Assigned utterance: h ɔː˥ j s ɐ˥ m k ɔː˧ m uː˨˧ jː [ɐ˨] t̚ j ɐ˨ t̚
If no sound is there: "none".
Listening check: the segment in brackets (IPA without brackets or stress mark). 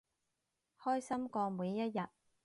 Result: ɐ˥